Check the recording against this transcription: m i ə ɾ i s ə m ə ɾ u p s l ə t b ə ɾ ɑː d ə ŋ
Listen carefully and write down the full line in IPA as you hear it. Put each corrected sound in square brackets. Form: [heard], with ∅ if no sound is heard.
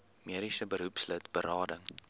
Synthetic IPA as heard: m i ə ɾ i s ə [b] ə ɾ u p s l ə t b ə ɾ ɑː d ə ŋ